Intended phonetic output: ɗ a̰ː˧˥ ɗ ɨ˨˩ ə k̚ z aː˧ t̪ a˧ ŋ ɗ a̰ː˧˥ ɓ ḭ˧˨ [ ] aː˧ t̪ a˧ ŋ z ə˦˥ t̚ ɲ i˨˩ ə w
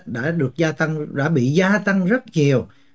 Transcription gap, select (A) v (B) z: B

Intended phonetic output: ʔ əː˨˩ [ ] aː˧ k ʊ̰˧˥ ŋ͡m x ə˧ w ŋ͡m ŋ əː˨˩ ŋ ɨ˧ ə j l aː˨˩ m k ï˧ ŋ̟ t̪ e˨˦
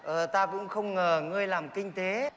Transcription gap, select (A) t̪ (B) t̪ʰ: A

